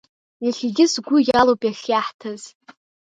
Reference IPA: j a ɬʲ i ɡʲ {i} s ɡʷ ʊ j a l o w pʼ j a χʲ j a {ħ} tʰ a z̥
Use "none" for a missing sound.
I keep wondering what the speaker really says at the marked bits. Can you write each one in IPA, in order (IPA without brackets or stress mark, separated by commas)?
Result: ɪ, ħ